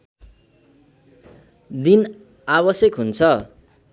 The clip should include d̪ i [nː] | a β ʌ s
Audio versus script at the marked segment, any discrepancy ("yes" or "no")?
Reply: yes